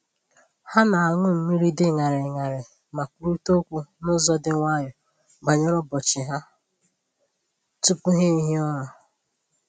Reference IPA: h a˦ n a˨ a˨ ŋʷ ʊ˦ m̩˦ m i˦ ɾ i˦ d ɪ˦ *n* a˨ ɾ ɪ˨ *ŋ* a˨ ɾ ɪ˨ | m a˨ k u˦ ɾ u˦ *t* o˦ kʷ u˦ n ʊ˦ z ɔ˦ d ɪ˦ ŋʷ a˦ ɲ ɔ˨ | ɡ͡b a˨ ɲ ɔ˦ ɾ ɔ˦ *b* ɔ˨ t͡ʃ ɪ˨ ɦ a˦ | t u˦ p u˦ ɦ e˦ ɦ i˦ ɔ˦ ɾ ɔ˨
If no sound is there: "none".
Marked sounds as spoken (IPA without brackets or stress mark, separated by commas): ŋ, ŋ, t, b